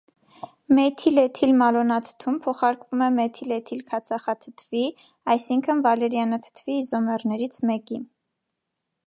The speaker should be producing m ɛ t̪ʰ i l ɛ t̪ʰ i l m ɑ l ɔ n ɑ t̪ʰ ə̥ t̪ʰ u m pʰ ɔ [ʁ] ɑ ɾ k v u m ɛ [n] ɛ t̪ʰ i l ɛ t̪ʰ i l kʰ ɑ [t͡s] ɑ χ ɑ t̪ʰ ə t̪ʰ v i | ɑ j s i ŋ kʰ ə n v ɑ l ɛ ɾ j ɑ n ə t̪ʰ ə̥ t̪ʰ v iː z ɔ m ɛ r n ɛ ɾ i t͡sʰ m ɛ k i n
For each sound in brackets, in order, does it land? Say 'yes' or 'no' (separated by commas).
no, no, no